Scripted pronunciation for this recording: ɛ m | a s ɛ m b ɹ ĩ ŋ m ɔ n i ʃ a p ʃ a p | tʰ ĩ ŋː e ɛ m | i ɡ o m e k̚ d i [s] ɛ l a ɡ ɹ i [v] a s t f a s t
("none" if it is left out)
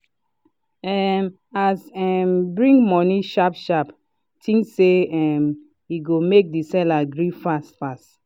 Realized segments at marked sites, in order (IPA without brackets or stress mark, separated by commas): s, f